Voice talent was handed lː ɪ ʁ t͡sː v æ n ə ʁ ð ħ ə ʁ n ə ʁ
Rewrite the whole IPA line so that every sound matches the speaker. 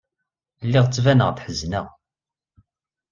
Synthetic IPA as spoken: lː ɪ ʁ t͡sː v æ n ə ʁ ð ħ ə z n ə ʁ